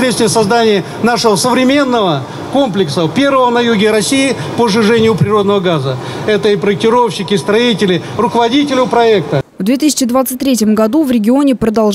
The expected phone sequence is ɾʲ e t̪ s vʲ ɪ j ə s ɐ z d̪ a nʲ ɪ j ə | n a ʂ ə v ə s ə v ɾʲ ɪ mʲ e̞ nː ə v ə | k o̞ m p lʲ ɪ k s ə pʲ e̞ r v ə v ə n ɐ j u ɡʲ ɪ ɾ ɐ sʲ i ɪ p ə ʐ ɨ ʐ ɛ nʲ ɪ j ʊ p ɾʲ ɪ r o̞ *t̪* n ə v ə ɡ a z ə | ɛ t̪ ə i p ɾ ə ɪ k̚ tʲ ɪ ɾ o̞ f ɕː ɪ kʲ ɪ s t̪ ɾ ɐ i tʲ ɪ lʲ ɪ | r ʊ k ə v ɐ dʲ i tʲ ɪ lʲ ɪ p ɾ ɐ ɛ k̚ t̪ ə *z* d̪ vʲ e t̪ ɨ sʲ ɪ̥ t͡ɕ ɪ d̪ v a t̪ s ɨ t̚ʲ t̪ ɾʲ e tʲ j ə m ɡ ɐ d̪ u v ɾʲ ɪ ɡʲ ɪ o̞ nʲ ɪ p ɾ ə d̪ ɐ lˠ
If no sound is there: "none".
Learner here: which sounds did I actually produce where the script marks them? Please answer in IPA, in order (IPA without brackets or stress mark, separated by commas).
d̪, v